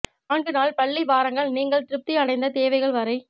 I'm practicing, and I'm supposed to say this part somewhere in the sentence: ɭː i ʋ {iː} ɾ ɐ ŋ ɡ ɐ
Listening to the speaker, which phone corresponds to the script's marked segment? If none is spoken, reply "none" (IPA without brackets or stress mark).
aː